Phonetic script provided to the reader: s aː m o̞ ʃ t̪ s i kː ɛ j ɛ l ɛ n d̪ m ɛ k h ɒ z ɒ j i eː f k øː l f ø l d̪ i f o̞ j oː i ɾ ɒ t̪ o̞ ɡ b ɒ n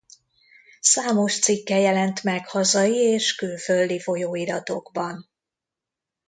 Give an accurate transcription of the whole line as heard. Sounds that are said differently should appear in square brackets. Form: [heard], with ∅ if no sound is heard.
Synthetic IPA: s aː m o̞ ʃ t̪ s i kː ɛ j ɛ l ɛ n [t̪] m ɛ k h ɒ z ɒ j i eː [ʃ] k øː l f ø l d̪ i f o̞ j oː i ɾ ɒ t̪ o̞ ɡ b ɒ n